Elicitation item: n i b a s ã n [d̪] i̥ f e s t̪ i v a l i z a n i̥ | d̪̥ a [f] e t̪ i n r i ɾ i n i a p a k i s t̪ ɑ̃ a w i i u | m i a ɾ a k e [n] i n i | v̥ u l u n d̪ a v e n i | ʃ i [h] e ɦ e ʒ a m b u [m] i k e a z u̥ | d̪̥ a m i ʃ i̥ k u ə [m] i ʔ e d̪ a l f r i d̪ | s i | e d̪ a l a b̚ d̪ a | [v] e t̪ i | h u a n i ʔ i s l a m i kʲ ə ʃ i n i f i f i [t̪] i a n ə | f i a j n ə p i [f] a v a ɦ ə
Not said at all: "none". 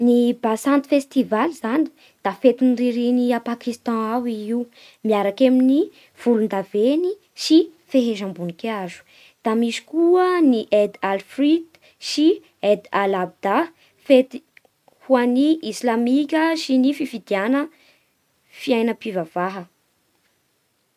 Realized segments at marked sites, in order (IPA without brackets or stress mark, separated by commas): t̪, f, m, f, n, n, f, d̪, v